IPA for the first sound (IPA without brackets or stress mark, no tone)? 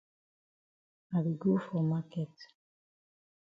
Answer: a